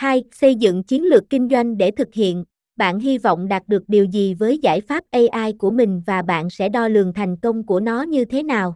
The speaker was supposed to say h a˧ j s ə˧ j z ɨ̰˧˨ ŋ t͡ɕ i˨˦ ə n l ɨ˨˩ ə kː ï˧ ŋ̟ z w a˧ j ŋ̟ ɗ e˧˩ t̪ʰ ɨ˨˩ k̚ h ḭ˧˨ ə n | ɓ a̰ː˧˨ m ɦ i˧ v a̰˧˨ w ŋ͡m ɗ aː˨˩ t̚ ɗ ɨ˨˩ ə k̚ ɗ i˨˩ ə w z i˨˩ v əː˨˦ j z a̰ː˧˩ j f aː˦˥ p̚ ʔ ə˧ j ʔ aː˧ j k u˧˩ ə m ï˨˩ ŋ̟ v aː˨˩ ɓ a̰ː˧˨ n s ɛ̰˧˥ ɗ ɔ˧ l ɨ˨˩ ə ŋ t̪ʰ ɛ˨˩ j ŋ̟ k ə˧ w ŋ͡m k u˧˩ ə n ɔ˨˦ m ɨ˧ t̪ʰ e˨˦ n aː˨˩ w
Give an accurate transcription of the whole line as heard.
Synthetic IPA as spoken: h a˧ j s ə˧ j z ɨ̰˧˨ ŋ t͡ɕ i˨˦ ə n l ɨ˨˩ ə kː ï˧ ŋ̟ z w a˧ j ŋ̟ ɗ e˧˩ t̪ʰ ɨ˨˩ k̚ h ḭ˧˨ ə n | ɓ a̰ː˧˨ n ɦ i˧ v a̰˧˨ w ŋ͡m ɗ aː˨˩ t̚ ɗ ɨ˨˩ ə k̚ ɗ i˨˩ ə w z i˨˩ v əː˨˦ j z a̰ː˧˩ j f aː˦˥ p̚ ʔ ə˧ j ʔ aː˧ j k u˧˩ ə m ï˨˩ ŋ̟ v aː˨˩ ɓ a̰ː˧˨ n s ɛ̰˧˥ ɗ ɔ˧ l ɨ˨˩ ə ŋ t̪ʰ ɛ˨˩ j ŋ̟ k ə˧ w ŋ͡m k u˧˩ ə n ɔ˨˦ ɲ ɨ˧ t̪ʰ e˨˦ n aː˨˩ w